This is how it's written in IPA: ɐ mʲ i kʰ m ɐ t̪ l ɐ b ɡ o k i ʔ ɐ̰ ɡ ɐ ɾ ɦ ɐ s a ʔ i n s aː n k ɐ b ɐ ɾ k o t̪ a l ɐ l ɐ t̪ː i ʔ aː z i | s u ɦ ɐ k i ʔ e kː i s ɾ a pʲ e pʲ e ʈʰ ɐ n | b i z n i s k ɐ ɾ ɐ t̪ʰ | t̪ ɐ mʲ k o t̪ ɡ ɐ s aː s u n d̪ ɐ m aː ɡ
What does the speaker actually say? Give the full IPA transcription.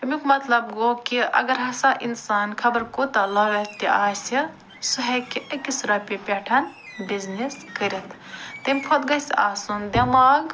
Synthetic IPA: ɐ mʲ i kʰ m ɐ t̪ l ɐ b ɡ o k i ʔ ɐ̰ ɡ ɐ ɾ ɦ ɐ s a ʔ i n s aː n kʰ ɐ b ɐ ɾ k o t̪ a l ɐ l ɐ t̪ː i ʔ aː s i | s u ɦ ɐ k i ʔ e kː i s ɾ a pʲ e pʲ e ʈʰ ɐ n | b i z n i s k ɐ ɾ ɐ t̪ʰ | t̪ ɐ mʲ kʰ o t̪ ɡ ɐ s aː s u n d̪ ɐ m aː ɡ

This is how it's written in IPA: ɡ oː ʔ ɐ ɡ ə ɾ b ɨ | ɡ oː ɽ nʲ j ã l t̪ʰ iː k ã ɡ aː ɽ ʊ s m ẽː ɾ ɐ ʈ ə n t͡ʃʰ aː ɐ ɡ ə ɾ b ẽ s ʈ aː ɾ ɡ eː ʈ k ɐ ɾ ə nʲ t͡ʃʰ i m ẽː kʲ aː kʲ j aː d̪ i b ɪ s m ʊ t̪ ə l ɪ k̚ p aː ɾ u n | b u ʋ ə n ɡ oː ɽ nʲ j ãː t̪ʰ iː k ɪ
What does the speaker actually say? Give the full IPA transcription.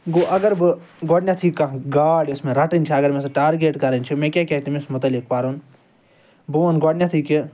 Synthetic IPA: ɡ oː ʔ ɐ ɡ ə ɾ b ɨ | ɡ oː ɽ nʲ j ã t̪ʰ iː k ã ɡ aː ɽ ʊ s m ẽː ɾ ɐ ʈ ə n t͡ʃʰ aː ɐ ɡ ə ɾ m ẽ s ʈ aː ɾ ɡ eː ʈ k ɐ ɾ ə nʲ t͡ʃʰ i m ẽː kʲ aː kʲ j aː t̪ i m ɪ s m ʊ t̪ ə l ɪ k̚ p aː ɾ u n | b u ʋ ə n ɡ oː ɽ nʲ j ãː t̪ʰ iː k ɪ

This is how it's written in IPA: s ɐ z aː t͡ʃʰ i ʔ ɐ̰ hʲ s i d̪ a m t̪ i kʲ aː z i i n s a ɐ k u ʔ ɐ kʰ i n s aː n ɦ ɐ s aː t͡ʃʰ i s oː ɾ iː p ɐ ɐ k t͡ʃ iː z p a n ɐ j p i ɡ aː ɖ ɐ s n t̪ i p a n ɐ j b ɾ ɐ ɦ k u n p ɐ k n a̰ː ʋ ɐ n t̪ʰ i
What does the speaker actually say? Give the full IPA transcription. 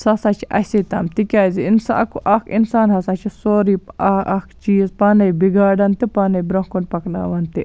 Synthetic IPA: s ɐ s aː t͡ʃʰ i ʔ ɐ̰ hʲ s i t̪ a m t̪ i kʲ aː z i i n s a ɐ k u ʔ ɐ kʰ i n s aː n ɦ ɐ s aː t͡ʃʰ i s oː ɾ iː p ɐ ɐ k t͡ʃ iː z p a n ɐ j b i ɡ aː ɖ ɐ n t̪ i p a n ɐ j b ɾ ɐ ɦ k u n p ɐ k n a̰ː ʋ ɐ n t̪ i

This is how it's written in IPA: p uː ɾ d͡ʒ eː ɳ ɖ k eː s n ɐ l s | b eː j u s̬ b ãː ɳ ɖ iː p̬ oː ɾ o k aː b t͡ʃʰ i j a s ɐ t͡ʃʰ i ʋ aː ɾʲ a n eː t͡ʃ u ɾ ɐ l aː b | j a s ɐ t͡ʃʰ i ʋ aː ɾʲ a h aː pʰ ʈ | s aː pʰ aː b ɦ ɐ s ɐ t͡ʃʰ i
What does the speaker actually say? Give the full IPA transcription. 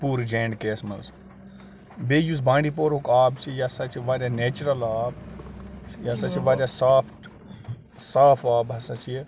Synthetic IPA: p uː ɾ d͡ʒ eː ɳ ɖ k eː s m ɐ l s | b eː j u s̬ b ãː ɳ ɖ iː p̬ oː ɾ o k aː b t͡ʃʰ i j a s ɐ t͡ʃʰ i ʋ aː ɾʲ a n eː t͡ʃ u ɾ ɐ l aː b | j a s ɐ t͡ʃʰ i ʋ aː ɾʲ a s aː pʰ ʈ | s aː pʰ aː b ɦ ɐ s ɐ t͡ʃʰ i

